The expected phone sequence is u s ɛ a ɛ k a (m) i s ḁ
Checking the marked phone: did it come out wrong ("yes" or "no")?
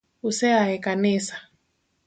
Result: yes